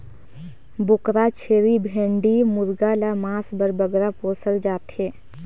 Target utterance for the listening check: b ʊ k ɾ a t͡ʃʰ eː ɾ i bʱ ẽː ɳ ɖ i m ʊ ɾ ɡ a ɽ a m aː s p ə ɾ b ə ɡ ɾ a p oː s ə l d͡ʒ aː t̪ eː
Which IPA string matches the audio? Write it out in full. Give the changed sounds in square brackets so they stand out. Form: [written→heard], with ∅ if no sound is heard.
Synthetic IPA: b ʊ k ɾ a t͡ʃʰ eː ɾ i bʱ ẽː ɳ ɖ i m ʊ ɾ ɡ a [ɽ→l] a m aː s [p→b] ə ɾ b ə ɡ ɾ a p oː s ə l d͡ʒ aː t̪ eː